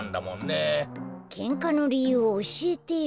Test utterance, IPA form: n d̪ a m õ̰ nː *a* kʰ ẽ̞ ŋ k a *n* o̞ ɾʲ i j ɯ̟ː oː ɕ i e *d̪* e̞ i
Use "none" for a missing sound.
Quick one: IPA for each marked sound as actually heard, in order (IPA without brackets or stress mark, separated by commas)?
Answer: e, n, t̪